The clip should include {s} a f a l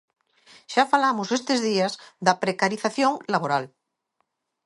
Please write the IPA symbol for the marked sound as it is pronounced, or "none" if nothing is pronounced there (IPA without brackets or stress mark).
ʃ